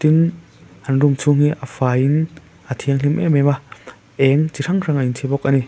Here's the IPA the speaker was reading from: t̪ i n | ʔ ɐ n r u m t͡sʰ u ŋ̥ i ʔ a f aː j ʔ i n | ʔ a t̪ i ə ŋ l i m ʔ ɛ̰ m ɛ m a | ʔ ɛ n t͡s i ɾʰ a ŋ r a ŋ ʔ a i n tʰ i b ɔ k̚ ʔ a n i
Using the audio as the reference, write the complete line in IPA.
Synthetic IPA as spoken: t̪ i n | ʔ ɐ n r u m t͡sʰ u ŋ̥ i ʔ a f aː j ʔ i n | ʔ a t̪ʰ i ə ŋ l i m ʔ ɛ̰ m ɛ m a | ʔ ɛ ŋ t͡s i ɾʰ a ŋ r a ŋ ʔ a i n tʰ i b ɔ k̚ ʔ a n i

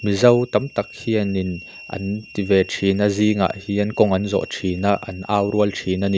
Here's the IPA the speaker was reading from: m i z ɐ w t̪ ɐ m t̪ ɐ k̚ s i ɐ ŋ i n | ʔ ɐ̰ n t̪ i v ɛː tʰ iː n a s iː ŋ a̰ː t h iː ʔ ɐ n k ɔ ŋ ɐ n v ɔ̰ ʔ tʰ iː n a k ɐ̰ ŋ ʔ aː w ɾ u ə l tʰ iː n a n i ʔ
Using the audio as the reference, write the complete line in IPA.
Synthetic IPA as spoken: m i z ɐ w t̪ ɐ m t̪ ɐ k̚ h i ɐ n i n | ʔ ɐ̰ n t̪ i v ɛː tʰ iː n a z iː ŋ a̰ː ʔ h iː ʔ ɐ n k ɔ ŋ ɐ n z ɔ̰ ʔ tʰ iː n a ʔ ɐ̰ n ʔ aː w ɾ u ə l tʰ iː n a n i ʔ

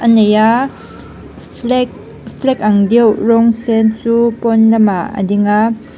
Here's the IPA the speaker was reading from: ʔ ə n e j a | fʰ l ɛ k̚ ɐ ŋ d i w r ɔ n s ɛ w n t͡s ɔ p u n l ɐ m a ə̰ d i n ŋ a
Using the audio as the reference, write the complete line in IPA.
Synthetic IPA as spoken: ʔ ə n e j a | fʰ l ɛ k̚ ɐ ŋ d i w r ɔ ŋ s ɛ n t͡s u p ɔ n l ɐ m a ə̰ d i ŋ a

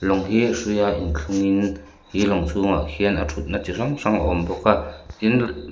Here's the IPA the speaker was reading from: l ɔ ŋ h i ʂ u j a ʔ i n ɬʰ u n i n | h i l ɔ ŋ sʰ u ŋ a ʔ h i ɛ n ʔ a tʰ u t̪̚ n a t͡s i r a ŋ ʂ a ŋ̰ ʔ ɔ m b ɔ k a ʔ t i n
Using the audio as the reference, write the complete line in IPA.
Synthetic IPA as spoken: l ɔ ŋ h i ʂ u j a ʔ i n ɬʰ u ŋ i n | h i l ɔ ŋ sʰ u ŋ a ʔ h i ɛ n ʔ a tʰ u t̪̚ n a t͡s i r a ŋ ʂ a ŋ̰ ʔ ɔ m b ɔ k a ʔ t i n

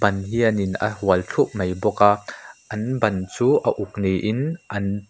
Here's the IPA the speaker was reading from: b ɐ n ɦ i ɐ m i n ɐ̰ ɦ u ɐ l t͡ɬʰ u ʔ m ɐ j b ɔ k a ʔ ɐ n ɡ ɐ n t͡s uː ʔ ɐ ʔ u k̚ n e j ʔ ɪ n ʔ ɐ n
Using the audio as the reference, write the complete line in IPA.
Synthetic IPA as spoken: b ɐ n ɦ i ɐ n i n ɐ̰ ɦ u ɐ l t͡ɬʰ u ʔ m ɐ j b ɔ k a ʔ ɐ n b ɐ n t͡s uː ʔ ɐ ʔ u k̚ n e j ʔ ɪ n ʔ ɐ n

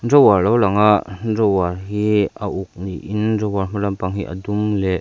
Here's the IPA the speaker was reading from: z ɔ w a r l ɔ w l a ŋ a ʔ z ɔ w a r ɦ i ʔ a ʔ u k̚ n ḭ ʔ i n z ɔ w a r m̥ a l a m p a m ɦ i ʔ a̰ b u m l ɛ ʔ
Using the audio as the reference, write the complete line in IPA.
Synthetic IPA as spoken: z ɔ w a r l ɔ w l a ŋ a ʔ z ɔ w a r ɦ i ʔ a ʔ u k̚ n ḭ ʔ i n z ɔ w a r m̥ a l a m p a ŋ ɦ i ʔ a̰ d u m l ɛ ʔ

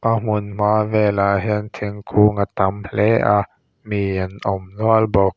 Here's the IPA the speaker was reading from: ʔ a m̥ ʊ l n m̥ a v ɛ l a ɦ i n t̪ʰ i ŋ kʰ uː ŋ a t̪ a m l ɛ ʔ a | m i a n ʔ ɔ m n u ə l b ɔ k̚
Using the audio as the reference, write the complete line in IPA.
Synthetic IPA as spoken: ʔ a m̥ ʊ n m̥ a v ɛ l a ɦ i n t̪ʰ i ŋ kʰ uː ŋ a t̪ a m l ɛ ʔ a | m i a n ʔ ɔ m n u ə l b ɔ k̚

